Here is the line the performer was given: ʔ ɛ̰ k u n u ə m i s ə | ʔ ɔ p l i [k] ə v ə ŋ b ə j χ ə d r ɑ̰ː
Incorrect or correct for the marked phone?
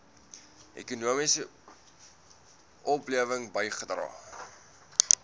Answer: incorrect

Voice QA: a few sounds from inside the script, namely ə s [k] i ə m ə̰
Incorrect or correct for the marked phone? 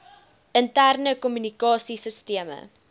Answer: incorrect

